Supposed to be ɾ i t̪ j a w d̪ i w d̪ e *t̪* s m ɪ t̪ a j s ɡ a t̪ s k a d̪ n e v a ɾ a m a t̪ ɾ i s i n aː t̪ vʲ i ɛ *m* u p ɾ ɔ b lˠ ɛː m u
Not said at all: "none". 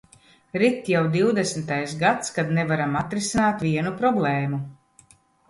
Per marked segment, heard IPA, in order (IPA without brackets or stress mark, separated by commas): none, n